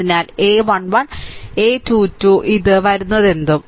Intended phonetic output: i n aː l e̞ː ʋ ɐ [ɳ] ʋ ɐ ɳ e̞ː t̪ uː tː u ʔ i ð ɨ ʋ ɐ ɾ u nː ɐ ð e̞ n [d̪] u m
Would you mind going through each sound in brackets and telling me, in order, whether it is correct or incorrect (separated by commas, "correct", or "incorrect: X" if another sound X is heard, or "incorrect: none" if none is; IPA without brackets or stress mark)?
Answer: correct, correct